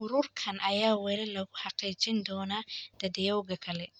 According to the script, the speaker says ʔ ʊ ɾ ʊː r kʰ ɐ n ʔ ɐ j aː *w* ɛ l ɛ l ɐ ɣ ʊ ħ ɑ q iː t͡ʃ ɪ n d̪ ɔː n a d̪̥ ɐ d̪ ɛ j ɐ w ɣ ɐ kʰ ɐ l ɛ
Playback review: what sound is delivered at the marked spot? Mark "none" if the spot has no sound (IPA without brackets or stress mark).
w